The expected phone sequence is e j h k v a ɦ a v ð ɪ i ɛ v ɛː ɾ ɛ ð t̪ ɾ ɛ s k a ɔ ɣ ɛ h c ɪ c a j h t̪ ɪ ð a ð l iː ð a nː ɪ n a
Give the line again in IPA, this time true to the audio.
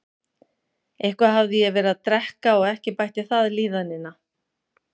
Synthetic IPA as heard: e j h k v a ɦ a v ð ɪ j ɛ v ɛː ɾ a ð t̪ ɾ ɛ h k a ɔ ɣ ɛ h c ɪ p a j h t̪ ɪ θ a ð l iː ð a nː ɪ n a